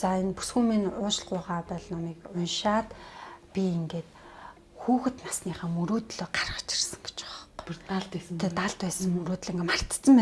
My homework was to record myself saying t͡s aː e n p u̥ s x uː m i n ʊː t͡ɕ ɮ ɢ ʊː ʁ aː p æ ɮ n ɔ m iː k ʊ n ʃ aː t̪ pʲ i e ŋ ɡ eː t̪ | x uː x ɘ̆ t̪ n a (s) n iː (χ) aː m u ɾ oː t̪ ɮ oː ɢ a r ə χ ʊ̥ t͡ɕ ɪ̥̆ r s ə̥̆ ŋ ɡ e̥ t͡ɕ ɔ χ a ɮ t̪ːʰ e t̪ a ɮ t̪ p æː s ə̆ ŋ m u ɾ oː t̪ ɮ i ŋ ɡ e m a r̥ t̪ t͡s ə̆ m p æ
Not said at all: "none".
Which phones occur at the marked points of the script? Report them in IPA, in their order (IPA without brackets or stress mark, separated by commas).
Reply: s, χ